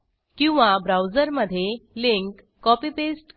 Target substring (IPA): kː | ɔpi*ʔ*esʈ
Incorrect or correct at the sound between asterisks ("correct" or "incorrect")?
incorrect